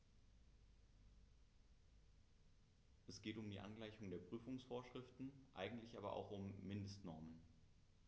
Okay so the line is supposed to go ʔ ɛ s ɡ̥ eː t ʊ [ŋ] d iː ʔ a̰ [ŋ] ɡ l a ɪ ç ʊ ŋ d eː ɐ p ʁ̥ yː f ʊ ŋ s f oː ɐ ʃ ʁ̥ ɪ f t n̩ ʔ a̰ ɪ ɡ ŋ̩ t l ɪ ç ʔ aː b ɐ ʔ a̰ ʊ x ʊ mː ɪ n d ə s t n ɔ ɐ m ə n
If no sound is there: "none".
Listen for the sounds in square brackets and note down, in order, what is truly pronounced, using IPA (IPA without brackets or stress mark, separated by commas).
m, n